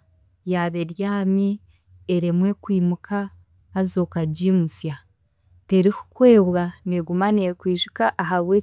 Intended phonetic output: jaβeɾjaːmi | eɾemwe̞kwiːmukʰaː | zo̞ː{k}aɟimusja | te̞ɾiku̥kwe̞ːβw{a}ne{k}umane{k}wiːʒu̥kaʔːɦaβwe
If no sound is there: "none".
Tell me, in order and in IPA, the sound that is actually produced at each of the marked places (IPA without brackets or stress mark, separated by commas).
k, a, ɡ, k